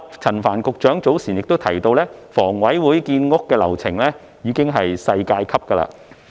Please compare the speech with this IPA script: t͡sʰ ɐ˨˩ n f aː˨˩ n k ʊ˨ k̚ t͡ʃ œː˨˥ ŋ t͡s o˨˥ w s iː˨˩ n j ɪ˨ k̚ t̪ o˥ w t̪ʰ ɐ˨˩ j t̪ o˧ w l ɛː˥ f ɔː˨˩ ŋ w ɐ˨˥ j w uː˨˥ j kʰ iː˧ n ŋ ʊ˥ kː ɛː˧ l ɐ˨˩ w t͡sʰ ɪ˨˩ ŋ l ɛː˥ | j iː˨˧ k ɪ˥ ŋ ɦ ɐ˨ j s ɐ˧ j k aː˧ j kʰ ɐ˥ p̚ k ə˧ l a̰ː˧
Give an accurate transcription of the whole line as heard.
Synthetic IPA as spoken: t͡sʰ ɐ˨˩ n f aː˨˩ n k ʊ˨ k̚ t͡ʃ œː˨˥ ŋ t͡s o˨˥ w s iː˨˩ n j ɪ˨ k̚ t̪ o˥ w t̪ʰ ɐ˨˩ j t̪ o˧ w l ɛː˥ f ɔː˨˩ ŋ w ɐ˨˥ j w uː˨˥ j k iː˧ n ŋ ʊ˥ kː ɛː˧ l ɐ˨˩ w t͡sʰ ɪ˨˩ ŋ l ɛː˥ | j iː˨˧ k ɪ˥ ŋ ɦ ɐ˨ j s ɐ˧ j k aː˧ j kʰ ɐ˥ p̚ k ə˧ l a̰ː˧